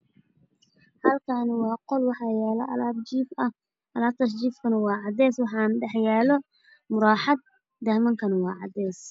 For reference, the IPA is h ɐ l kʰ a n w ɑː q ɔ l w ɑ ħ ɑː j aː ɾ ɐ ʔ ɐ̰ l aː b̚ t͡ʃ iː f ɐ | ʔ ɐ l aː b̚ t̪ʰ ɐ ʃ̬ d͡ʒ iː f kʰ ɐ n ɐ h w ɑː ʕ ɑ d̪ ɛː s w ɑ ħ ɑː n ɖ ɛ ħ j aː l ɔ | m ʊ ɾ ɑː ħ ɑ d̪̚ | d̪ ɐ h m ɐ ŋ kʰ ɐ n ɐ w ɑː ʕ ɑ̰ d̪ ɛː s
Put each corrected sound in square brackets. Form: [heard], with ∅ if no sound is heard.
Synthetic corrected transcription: h ɐ l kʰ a n w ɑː q ɔ l w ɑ ħ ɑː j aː [l] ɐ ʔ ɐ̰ l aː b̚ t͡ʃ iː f ɐ | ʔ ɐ l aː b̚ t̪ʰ ɐ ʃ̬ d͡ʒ iː f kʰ ɐ n ɐ [∅] w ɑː ʕ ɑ d̪ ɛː s w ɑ ħ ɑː n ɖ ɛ ħ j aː l ɔ | m ʊ ɾ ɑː ħ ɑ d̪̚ | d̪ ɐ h m ɐ ŋ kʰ ɐ n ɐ w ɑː ʕ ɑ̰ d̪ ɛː s